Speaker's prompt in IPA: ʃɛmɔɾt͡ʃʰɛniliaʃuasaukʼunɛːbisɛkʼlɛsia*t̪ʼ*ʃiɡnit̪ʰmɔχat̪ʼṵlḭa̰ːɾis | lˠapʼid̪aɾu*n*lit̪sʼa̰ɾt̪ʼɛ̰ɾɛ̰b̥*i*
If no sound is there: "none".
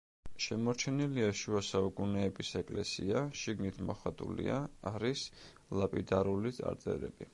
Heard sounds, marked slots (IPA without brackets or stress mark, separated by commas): none, none, i